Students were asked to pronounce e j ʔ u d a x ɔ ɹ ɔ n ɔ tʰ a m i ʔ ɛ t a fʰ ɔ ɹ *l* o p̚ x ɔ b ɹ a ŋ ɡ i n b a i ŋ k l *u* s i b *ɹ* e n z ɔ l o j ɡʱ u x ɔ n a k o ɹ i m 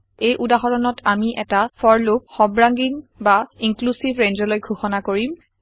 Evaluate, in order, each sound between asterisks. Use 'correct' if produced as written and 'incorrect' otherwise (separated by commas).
correct, correct, correct